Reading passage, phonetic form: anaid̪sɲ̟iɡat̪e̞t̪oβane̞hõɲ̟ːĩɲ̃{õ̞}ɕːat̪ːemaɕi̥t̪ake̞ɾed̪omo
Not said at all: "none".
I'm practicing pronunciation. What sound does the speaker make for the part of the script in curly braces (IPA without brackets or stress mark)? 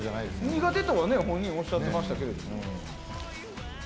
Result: o̞